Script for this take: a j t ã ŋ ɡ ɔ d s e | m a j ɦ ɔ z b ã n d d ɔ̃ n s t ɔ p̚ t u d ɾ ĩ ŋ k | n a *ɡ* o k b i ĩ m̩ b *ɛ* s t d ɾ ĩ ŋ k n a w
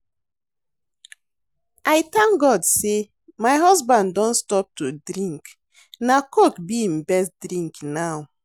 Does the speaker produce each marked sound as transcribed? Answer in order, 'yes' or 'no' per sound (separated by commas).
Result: no, yes